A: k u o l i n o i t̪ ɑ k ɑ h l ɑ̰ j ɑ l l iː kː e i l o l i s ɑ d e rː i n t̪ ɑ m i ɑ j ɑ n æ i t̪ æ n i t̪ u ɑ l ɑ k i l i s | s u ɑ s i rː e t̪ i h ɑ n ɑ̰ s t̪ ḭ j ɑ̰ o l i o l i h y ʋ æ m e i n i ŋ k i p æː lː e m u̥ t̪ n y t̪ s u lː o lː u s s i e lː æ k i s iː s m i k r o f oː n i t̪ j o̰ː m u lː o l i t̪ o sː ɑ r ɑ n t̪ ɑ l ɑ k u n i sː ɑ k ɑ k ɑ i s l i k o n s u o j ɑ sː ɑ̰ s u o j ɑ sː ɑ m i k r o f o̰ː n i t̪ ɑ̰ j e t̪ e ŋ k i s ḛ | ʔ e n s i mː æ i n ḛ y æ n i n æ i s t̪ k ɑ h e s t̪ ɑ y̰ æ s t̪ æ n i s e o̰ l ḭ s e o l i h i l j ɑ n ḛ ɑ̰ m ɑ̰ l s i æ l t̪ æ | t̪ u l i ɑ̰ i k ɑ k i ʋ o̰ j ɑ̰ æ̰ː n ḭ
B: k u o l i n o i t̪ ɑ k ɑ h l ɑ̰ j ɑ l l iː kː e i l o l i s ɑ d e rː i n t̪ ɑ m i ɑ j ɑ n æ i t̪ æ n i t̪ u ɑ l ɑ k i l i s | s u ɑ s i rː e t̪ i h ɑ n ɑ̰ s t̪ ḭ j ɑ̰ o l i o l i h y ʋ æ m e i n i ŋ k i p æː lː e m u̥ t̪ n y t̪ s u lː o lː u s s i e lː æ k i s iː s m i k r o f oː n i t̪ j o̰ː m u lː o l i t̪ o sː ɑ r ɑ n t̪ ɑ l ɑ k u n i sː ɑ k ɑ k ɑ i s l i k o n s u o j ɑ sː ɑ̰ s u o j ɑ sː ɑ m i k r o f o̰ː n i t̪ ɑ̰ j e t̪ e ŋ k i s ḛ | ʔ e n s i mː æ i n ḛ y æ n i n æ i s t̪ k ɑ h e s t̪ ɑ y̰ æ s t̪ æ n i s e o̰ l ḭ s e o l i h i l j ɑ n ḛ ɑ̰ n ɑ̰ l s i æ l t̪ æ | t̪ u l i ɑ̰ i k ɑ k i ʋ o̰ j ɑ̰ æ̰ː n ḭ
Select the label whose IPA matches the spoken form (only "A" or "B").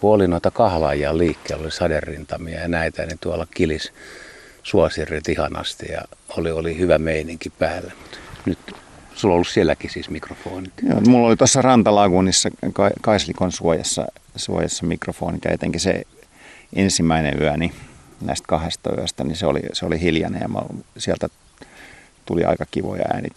A